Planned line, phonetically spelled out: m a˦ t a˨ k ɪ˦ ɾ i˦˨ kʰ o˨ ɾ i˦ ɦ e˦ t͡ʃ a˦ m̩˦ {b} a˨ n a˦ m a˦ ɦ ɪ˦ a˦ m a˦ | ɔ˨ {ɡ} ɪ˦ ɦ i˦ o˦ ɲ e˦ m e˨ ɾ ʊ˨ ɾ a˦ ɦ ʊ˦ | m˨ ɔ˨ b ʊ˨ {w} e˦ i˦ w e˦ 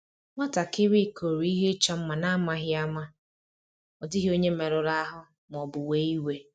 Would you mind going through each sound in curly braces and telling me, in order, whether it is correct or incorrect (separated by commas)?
incorrect, incorrect, correct